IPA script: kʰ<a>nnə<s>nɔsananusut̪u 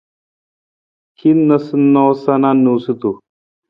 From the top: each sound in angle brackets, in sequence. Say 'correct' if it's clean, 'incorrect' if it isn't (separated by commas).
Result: incorrect, correct